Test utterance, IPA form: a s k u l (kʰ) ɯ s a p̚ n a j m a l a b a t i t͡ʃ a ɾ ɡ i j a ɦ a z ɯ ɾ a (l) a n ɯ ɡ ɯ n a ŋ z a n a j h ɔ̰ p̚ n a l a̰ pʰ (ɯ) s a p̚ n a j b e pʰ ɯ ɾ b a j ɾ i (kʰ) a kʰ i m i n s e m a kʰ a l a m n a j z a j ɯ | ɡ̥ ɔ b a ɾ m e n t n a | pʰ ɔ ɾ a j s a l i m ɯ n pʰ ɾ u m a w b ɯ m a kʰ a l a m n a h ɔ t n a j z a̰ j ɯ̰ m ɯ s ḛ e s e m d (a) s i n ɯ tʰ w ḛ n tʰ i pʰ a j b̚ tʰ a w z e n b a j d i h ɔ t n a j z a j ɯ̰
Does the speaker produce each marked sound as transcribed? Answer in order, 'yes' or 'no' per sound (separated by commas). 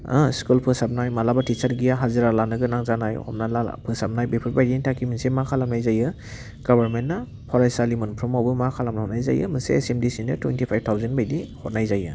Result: no, yes, yes, no, no